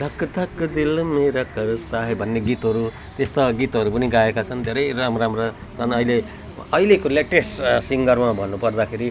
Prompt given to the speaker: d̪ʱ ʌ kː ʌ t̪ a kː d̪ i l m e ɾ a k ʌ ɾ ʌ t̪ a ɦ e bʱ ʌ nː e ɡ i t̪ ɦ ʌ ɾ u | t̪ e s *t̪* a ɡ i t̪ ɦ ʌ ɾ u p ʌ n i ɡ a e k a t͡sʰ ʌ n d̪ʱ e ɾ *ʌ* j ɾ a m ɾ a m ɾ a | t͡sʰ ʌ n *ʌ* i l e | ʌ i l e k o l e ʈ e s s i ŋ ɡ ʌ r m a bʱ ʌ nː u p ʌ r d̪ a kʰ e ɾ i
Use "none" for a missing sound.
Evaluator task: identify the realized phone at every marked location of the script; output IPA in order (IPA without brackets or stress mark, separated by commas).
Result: t̪, ʌ, ʌ